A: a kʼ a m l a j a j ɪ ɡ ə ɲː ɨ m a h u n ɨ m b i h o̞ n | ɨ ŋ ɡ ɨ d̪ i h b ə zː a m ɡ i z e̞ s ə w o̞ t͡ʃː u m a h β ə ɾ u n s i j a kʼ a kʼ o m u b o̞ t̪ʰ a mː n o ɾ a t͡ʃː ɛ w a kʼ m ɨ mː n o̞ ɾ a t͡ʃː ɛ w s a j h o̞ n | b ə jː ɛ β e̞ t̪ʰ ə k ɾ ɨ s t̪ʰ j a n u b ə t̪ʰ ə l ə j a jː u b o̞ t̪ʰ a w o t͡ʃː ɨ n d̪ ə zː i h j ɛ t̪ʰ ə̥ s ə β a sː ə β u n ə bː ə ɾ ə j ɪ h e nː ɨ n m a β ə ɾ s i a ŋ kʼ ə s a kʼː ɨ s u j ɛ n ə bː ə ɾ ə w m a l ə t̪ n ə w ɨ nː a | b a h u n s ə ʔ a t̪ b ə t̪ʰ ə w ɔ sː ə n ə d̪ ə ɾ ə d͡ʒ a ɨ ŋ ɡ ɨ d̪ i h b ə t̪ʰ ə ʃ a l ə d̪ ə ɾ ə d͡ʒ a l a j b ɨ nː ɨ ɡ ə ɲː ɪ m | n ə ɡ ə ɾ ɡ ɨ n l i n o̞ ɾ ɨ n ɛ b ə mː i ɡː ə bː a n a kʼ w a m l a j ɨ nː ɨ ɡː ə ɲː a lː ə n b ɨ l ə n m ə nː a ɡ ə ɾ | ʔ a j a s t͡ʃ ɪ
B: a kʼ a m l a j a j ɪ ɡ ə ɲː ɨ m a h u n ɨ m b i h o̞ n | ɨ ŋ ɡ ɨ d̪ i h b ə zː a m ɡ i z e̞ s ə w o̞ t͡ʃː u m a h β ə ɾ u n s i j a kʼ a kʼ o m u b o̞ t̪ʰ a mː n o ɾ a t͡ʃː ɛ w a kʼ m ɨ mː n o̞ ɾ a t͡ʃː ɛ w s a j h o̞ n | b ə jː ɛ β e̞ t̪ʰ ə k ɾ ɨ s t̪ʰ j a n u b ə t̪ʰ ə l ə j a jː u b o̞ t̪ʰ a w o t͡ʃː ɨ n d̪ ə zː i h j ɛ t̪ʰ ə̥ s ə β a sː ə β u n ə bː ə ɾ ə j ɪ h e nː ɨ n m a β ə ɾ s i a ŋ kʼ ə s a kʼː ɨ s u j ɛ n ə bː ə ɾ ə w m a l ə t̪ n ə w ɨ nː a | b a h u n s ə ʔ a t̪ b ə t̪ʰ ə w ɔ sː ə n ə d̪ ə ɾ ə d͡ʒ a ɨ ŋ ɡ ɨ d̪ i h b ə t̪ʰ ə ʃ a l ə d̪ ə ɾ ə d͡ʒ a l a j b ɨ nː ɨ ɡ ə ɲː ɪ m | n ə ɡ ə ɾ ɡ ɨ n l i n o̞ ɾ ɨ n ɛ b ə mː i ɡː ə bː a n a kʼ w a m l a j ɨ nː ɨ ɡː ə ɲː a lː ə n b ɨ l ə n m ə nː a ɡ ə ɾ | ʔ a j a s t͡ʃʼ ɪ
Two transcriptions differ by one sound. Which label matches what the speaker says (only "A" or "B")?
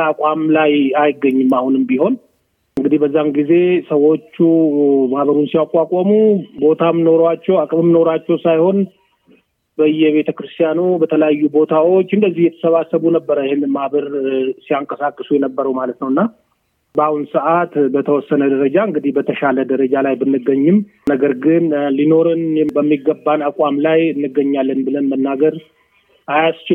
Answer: A